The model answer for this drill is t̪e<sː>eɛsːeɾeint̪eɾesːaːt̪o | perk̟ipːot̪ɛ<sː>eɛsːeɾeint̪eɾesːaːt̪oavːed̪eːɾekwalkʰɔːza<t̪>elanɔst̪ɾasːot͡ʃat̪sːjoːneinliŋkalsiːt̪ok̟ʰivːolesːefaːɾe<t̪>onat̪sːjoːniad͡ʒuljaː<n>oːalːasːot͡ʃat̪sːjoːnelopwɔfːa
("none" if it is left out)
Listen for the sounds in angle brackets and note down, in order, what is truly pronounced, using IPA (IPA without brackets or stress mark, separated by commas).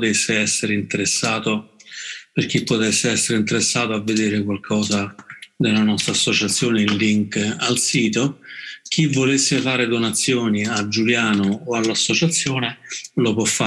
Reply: sː, sː, d̪, d̪, n